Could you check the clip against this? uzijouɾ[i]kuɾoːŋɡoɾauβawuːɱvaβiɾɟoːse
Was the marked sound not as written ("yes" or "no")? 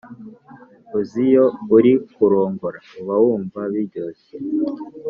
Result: no